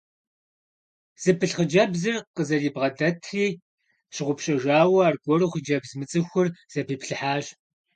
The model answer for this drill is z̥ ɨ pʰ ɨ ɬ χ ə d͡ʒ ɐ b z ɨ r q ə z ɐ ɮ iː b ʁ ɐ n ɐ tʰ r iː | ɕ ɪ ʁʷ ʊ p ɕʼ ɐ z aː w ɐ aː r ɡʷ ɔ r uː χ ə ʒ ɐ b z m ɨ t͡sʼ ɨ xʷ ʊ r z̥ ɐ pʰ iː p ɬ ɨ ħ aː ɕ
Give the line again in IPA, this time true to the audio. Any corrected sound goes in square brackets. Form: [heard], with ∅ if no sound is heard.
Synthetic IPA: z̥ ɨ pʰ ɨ ɬ χ ə d͡ʒ ɐ b z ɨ r q ə z ɐ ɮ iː b ʁ ɐ [d] ɐ tʰ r iː | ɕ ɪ ʁʷ ʊ p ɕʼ ɐ [ʒ] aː w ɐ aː r ɡʷ ɔ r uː χ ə [d͡ʒ] ɐ b z m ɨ t͡sʼ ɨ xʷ ʊ r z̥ ɐ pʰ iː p ɬ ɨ ħ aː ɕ